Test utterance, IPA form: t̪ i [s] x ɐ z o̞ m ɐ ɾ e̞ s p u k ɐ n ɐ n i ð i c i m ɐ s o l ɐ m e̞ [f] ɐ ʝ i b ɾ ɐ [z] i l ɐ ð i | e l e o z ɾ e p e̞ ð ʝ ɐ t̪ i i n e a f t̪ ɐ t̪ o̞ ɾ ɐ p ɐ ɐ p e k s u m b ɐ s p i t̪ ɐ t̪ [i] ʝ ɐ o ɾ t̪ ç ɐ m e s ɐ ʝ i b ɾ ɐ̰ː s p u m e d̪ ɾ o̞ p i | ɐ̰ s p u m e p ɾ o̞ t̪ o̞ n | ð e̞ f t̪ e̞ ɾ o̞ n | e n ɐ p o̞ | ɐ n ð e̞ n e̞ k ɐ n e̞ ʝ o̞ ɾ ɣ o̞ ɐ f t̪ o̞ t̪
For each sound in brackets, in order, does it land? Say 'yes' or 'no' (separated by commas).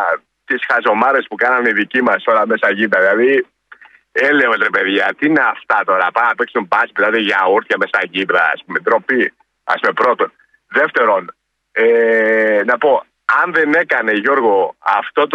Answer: yes, no, no, no